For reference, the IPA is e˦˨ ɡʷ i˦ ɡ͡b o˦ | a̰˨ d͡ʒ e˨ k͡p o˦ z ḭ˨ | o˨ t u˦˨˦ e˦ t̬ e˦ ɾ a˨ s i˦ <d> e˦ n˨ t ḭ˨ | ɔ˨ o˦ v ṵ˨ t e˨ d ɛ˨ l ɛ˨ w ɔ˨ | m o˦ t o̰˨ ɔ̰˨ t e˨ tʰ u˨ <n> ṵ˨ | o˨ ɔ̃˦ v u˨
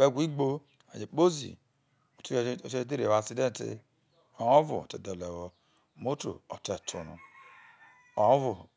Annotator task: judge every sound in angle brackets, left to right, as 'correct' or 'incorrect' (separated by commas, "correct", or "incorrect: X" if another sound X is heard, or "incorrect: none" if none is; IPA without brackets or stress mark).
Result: correct, correct